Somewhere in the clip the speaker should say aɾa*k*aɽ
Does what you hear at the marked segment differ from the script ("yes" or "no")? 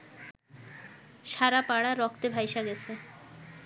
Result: yes